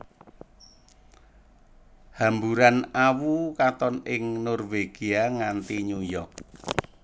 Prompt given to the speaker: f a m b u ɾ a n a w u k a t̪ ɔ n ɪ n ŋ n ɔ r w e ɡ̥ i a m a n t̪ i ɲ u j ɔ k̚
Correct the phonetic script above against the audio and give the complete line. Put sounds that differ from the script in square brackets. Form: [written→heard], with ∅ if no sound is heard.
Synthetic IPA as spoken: [f→h] a m b u ɾ a n a w u k a t̪ ɔ n ɪ [n→∅] ŋ n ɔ r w e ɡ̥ i a [m→ŋ] a n t̪ i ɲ u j ɔ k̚